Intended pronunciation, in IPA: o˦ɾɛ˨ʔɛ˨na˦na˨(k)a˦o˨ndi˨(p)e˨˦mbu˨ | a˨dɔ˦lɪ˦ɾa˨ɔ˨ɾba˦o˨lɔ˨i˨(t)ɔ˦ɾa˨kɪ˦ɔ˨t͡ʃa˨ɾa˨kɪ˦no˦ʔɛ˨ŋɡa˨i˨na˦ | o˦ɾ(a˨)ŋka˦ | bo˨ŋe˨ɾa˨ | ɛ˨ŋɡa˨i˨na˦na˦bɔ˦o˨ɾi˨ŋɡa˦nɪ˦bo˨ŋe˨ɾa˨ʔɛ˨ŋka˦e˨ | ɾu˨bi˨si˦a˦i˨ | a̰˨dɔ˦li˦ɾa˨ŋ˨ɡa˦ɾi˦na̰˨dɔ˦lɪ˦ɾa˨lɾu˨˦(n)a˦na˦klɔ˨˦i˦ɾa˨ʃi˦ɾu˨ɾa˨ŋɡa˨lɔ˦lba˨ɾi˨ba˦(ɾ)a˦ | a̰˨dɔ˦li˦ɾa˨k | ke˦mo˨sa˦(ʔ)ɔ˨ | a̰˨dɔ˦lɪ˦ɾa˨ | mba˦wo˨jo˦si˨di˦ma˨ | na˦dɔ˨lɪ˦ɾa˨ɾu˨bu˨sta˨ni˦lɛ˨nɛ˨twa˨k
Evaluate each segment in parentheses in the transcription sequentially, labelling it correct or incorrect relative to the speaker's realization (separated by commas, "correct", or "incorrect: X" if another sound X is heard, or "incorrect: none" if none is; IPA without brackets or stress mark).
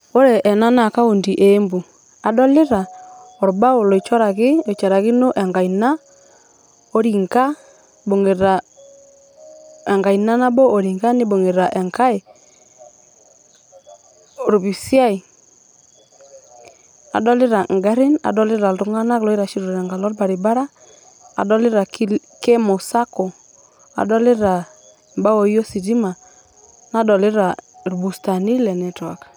correct, incorrect: ʔ, incorrect: t͡ʃ, incorrect: i˨, incorrect: ŋ, correct, incorrect: k